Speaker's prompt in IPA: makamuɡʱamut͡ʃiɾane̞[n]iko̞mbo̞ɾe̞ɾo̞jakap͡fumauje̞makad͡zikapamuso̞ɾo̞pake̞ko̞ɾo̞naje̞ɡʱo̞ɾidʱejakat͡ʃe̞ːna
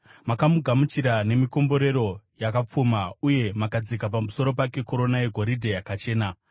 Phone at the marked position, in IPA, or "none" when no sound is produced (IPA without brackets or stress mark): m